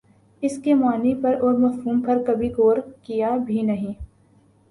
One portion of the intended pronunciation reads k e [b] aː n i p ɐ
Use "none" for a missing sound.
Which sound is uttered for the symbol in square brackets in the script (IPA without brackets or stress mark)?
m